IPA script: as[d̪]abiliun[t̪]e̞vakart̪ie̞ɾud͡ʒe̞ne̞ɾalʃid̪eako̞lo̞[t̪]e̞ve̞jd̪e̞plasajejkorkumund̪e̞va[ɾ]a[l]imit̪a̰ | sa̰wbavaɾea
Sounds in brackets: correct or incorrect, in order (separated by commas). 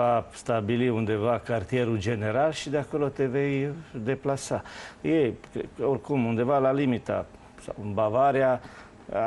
incorrect, incorrect, correct, incorrect, correct